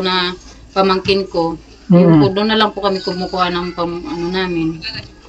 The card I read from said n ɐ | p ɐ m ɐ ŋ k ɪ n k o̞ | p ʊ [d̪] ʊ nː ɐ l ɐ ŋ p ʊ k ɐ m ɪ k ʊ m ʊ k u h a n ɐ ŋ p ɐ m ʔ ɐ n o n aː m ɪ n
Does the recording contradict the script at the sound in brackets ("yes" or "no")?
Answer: no